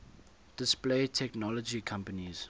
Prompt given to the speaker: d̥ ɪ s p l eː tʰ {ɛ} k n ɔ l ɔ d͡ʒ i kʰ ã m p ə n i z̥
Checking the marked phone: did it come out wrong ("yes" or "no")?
no